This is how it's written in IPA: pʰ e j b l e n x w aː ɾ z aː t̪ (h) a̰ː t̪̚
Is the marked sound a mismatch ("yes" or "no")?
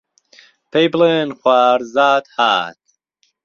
no